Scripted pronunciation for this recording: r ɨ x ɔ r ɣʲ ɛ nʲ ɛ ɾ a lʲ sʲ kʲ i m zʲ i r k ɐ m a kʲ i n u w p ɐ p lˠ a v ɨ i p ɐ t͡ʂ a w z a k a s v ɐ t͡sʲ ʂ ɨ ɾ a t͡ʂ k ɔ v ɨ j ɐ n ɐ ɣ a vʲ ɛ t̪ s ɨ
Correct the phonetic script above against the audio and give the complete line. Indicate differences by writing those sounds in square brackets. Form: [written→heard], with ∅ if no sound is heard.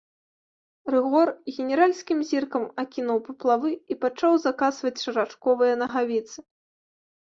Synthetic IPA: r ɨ [x→ɣ] ɔ r ɣʲ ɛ nʲ ɛ ɾ a lʲ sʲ kʲ i m zʲ i r k ɐ m a kʲ i n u w p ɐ p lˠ a v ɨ i p [ɐ→a] t͡ʂ a w z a k a s v ɐ t͡sʲ ʂ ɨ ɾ a t͡ʂ k ɔ v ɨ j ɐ n ɐ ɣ a vʲ [ɛ→i] t̪ s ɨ